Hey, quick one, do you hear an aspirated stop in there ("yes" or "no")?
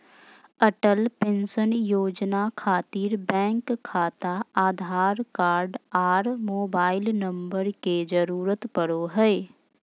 yes